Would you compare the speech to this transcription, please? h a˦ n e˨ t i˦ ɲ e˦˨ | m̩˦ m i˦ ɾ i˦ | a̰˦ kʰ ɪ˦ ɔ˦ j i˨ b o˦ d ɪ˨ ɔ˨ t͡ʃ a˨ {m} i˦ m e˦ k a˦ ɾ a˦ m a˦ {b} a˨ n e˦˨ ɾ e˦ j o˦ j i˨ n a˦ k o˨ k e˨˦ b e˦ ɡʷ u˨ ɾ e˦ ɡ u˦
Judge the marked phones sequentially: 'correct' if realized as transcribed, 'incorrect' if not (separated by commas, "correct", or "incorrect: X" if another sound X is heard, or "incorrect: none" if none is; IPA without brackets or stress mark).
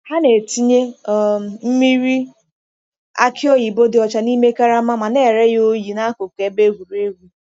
incorrect: n, incorrect: m